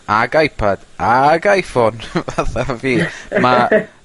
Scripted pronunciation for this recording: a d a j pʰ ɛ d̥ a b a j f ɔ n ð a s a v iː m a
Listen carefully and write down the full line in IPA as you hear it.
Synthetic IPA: a ɡ a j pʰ a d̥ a ɡ a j f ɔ n v a θ a v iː m a